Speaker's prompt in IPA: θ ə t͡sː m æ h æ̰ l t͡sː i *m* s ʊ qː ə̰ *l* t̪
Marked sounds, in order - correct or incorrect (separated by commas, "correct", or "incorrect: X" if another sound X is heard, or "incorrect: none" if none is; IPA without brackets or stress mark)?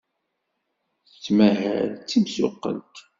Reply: correct, correct